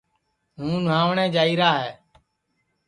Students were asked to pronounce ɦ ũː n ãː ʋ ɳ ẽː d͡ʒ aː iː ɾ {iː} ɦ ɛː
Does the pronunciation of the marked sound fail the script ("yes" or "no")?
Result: yes